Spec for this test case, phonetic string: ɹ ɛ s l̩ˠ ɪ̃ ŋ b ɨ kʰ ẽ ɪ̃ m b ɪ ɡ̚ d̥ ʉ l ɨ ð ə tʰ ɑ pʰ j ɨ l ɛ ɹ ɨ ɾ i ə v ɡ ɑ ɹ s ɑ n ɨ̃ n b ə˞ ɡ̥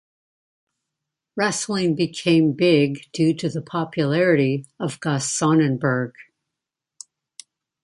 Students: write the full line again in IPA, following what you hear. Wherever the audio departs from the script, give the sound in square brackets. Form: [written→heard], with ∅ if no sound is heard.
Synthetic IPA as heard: ɹ ɛ s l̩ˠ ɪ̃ ŋ b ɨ kʰ ẽ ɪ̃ m b ɪ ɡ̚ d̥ ʉ [l→ɾ] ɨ ð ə [tʰ→pʰ] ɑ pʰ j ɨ l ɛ ɹ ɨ ɾ i [ə→ʌ] v ɡ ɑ [ɹ→∅] s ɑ n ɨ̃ n b ə˞ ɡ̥